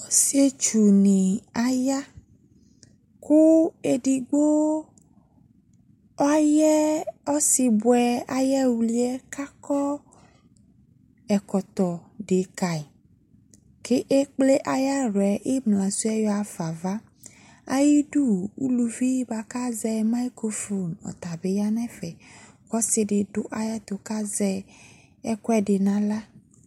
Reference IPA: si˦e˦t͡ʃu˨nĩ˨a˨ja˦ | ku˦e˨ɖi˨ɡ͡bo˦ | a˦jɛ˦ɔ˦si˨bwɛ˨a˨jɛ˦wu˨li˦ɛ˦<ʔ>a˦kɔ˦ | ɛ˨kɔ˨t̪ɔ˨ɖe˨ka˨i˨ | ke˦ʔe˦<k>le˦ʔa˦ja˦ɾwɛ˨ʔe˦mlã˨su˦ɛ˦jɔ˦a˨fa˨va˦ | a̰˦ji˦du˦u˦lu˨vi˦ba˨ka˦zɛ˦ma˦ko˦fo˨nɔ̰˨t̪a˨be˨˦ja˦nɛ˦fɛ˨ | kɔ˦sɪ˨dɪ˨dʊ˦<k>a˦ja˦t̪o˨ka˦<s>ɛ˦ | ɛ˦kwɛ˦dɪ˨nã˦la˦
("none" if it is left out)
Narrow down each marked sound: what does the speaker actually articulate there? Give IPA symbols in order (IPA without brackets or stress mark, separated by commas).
k, k͡p, ʔ, z